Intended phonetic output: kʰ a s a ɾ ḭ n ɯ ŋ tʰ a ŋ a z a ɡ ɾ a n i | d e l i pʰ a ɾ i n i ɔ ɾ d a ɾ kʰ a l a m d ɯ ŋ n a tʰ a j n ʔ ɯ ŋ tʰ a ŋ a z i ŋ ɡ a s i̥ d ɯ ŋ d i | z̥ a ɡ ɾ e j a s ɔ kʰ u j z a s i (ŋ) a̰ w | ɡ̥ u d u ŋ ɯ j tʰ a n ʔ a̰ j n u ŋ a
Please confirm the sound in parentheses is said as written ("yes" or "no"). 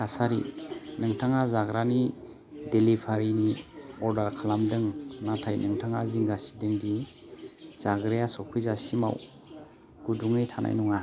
no